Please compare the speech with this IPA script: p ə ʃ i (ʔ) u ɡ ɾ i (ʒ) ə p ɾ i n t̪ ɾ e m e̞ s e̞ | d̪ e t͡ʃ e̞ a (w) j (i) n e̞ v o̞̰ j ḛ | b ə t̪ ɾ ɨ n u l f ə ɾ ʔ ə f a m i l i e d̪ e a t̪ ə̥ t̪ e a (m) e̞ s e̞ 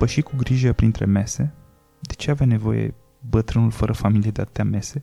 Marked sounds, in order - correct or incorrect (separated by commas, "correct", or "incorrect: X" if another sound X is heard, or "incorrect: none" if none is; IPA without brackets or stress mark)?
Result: incorrect: k, correct, incorrect: v, incorrect: a, correct